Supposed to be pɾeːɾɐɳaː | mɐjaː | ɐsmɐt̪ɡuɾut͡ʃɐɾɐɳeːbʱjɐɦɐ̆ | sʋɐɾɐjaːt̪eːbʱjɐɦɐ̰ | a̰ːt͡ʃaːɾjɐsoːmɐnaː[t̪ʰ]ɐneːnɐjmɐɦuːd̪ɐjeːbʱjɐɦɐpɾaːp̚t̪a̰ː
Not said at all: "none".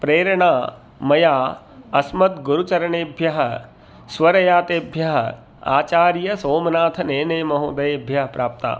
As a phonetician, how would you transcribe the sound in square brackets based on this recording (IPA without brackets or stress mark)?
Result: t̪ʰ